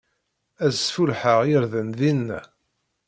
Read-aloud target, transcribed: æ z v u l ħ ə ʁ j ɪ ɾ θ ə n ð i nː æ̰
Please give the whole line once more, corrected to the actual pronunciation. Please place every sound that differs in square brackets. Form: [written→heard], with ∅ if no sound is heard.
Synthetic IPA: æ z [v→f] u l ħ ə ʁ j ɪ ɾ [θ→ð] ə n ð i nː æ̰